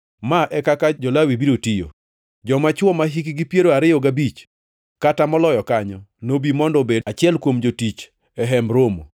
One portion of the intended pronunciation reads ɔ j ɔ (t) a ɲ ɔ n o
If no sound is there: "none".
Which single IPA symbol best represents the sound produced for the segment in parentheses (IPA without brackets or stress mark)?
k